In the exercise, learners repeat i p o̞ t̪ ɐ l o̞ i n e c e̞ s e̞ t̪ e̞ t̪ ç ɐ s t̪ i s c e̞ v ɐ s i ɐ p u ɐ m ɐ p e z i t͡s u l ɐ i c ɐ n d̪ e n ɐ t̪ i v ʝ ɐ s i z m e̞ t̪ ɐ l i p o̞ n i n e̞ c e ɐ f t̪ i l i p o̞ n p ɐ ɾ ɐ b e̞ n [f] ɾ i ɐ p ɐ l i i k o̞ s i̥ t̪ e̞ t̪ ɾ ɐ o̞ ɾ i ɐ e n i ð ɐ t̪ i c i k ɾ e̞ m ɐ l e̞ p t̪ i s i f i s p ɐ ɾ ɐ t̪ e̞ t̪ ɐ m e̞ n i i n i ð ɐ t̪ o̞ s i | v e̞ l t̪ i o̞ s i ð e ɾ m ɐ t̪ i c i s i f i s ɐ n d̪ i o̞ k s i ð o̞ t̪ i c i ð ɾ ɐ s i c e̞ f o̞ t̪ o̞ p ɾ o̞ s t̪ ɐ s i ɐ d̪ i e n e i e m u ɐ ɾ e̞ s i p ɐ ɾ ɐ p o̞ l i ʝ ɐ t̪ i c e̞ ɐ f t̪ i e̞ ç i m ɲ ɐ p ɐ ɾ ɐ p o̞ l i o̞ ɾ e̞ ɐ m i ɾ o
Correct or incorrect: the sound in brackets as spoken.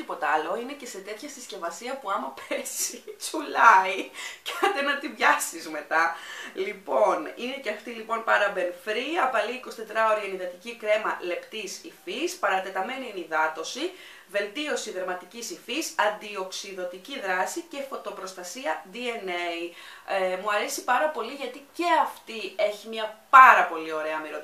correct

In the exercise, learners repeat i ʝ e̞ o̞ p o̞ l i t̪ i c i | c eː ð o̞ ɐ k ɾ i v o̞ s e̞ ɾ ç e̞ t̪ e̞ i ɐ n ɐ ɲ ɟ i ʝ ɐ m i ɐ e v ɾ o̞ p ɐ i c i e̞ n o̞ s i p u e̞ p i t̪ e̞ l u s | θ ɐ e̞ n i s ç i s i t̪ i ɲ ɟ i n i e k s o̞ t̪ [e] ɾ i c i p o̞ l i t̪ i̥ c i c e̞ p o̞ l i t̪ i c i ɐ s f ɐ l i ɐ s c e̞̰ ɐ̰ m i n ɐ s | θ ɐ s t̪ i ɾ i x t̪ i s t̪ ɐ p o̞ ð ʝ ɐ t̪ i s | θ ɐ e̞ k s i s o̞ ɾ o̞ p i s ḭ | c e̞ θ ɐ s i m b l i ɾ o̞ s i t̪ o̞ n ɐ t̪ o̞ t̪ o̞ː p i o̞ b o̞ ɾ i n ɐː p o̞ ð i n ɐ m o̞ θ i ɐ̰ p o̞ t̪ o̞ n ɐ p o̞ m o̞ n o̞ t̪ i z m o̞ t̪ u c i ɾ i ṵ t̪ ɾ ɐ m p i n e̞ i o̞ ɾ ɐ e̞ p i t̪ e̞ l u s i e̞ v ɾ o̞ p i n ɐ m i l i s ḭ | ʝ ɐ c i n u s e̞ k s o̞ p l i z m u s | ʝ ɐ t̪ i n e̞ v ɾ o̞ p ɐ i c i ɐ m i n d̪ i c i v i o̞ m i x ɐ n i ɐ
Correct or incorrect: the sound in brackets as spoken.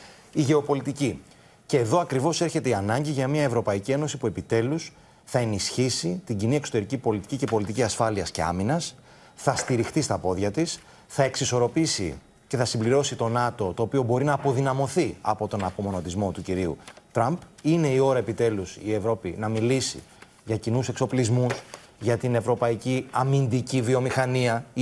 correct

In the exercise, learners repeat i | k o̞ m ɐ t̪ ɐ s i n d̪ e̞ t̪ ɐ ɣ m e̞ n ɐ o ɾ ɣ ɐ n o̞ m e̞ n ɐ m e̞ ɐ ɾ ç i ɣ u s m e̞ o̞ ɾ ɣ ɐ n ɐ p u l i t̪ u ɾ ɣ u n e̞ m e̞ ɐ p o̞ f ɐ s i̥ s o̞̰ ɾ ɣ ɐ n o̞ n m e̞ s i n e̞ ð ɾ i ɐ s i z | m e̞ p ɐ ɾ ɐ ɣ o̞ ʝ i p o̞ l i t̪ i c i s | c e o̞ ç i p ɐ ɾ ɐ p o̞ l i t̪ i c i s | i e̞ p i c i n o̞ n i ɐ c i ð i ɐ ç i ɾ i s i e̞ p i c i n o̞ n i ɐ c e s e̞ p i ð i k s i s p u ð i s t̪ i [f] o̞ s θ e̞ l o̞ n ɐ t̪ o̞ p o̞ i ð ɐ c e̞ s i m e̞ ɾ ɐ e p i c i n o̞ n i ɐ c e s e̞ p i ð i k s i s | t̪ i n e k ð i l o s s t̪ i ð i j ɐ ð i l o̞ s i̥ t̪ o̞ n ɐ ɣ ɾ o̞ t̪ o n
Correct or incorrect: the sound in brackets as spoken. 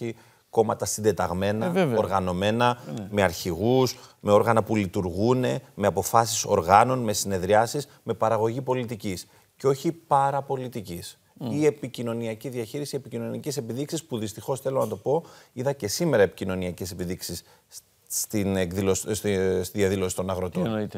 incorrect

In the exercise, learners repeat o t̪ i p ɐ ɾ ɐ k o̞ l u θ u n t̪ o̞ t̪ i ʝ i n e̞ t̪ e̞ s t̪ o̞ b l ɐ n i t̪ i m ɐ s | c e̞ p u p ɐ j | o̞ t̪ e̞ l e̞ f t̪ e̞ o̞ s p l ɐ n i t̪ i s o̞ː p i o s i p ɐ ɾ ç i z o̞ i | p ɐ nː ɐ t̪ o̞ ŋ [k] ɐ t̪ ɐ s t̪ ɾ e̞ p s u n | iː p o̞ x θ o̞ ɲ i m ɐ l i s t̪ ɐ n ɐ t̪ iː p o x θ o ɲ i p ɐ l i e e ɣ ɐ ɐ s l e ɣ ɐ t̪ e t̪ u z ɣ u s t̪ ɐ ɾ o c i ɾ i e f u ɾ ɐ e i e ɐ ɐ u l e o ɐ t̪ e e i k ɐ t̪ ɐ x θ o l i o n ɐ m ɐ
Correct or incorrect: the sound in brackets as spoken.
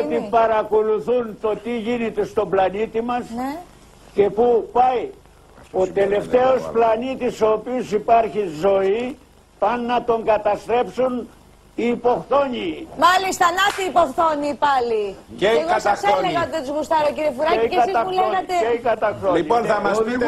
incorrect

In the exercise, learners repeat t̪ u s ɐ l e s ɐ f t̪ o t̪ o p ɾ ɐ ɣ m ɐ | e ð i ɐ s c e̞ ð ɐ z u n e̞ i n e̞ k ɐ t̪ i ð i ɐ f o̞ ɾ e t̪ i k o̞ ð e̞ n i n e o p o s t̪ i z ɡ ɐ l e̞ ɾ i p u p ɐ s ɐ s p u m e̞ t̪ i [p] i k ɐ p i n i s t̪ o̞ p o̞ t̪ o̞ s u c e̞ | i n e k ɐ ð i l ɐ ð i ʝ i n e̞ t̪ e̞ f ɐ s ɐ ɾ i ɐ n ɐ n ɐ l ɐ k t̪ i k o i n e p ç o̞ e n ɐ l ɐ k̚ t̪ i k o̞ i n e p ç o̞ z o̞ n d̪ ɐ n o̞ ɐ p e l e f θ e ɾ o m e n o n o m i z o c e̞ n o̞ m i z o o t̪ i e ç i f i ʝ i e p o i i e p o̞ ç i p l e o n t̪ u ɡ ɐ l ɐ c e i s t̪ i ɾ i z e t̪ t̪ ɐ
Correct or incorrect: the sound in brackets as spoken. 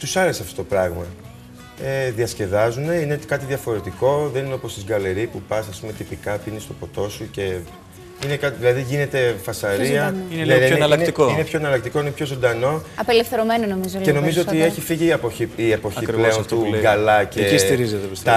correct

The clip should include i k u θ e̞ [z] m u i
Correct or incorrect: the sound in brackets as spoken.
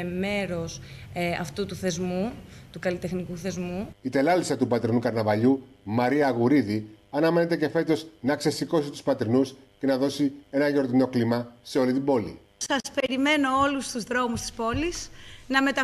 correct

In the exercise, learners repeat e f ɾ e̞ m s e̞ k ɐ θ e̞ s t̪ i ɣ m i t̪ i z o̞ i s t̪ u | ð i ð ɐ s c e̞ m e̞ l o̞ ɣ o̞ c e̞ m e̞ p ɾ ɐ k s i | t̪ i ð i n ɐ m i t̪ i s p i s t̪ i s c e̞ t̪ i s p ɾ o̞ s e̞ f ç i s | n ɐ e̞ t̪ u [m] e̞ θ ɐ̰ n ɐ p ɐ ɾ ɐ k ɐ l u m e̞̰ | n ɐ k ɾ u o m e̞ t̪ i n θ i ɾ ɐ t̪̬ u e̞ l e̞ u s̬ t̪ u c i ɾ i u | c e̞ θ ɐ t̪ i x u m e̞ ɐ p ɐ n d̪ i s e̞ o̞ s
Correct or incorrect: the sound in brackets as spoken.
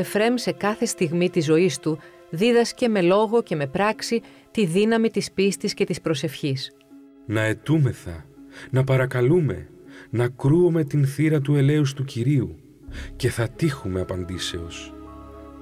correct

